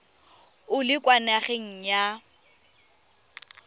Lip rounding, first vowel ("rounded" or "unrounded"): rounded